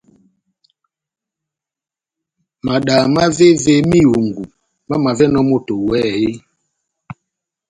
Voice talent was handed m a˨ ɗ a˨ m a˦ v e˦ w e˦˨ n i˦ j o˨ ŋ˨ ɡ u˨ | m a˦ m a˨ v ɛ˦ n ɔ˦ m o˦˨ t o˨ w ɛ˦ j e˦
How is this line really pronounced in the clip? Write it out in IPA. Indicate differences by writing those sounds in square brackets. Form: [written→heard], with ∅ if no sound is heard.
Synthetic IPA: m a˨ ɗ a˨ m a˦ v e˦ [w→v] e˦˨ [n→m] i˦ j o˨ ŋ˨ ɡ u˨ | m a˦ m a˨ v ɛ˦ n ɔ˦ m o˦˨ t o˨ w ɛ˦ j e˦